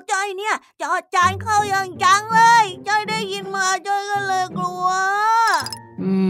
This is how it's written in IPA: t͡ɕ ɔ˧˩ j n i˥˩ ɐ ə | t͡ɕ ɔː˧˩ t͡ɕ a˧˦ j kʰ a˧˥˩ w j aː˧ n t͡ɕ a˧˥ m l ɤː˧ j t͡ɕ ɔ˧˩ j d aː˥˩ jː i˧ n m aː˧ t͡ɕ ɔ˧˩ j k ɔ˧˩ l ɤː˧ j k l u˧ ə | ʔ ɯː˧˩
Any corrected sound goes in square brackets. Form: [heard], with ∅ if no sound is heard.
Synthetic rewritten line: t͡ɕ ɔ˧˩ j n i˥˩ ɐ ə | t͡ɕ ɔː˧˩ t͡ɕ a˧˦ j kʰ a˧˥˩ w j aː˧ [ŋ] t͡ɕ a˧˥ [ŋ] l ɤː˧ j t͡ɕ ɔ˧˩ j d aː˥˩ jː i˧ n m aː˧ t͡ɕ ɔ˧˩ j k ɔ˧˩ l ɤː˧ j k l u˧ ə | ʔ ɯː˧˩